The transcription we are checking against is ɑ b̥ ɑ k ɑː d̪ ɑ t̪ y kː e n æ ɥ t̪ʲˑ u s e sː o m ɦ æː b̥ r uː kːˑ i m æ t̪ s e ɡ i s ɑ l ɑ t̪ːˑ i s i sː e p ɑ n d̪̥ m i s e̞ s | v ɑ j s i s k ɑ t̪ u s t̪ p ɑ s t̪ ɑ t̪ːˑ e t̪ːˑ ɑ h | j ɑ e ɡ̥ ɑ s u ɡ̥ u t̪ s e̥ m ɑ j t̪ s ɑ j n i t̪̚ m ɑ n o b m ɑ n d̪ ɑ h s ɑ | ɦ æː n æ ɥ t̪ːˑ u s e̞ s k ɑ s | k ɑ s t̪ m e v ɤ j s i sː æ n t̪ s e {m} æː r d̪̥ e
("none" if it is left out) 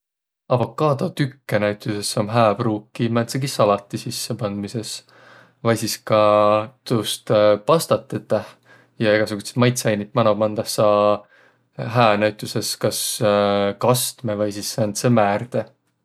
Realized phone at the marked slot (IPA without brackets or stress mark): m